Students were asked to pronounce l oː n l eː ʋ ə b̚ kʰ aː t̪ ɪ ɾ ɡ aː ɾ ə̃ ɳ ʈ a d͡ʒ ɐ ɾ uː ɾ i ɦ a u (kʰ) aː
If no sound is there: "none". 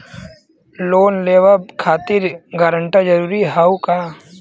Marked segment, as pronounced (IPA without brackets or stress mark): k